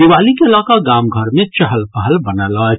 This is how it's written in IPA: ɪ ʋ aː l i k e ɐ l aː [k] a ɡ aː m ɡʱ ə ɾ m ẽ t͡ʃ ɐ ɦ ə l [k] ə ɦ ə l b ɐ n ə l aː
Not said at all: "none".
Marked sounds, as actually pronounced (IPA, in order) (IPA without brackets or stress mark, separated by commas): k, p